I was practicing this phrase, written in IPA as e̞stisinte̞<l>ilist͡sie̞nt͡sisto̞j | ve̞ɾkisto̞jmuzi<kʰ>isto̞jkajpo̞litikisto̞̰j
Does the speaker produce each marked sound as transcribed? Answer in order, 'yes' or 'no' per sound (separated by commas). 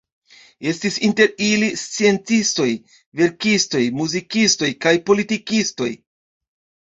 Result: no, no